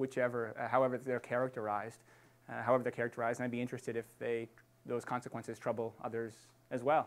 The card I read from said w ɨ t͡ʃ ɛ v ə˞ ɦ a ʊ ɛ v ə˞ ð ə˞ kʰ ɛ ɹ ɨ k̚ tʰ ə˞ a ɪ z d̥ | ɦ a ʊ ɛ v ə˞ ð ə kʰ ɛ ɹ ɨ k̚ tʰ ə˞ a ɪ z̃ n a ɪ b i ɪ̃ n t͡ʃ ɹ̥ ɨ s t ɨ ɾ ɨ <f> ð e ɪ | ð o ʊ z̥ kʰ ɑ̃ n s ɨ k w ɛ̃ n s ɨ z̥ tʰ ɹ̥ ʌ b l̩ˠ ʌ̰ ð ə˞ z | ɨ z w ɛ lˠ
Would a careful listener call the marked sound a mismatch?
no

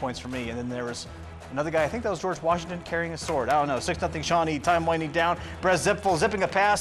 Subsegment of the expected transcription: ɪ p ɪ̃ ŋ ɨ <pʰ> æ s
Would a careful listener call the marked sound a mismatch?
no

